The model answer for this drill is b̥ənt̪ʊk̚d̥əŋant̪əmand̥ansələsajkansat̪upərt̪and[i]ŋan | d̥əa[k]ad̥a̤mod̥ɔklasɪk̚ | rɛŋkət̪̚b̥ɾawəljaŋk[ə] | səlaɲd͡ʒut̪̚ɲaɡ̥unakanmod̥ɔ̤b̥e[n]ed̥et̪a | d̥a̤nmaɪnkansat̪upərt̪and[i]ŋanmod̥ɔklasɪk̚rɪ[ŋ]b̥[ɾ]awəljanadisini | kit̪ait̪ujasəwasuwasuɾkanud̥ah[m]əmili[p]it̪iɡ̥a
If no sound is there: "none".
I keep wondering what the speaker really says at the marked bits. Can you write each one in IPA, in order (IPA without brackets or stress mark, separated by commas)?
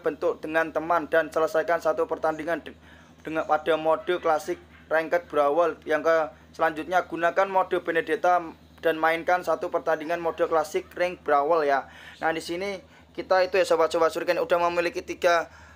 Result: i, p, ə, n, i, ŋ, ɾ, m, k